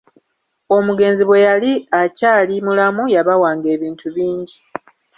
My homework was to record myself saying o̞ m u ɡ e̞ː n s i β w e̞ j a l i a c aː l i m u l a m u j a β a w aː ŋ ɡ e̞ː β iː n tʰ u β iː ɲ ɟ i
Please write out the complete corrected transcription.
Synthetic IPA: o̞ m u ɡ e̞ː n z i β w e̞ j a l i a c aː l i m u l a m u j a β a w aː ŋ ɡ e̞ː β iː n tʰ u β iː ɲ ɟ i